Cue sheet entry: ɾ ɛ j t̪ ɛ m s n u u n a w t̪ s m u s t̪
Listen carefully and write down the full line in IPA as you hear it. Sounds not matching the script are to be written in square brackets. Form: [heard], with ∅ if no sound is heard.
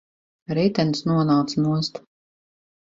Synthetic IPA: ɾ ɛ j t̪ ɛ [n] s n u [ɔ] n a w t̪ s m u s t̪